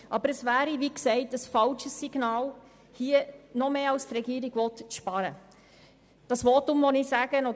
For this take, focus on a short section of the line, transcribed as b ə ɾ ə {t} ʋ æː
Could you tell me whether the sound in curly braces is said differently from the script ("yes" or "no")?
yes